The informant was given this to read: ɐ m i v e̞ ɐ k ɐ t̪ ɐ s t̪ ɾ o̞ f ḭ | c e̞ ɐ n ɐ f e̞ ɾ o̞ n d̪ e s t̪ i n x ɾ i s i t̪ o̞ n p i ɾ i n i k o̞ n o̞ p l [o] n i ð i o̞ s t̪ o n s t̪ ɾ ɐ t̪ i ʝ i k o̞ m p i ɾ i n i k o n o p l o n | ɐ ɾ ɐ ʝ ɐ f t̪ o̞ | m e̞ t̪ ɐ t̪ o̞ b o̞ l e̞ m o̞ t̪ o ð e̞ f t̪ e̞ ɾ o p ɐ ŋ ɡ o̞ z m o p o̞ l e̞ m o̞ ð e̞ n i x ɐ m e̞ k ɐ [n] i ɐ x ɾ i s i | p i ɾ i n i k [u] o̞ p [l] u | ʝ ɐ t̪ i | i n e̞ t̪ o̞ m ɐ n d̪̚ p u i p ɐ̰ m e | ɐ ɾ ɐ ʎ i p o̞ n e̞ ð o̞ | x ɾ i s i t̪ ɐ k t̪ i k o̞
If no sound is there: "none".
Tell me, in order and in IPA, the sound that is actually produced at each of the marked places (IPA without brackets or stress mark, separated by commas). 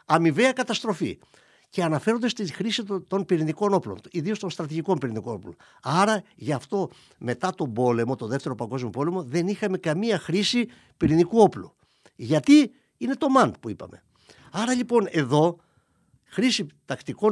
o, m, u, l